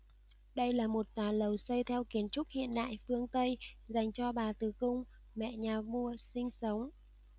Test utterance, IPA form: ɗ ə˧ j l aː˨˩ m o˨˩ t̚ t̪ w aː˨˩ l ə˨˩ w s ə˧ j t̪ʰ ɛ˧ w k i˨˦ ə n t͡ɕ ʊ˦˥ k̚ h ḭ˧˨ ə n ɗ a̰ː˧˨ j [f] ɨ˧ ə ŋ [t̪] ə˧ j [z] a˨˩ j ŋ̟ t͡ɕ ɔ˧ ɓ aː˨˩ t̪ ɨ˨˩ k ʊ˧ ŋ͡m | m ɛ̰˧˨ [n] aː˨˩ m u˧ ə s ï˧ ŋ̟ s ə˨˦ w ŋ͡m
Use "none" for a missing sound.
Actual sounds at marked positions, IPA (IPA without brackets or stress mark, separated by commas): f, t̪, z, ɲ